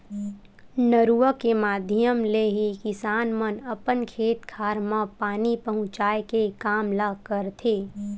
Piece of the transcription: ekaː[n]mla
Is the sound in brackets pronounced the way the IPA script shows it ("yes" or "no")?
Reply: no